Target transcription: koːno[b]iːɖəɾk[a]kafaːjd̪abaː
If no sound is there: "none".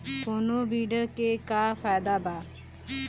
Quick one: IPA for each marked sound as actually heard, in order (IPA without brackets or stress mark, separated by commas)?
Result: b, e